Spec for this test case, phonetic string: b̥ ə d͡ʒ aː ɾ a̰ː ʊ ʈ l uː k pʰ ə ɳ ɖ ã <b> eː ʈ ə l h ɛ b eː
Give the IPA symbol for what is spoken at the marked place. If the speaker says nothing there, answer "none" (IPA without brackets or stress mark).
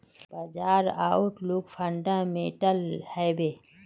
m